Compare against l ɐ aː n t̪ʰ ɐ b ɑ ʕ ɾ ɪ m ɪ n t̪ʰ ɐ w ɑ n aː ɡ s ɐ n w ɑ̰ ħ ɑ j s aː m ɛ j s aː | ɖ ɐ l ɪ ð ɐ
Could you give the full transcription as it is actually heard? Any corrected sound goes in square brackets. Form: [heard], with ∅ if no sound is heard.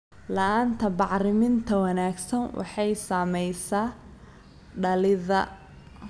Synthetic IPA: l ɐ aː n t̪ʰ ɐ b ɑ ʕ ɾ ɪ m ɪ n t̪ʰ ɐ w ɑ n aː ɡ s ɐ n w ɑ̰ ħ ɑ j s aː m ɛ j s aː | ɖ ɐ l ɪ ð ɐ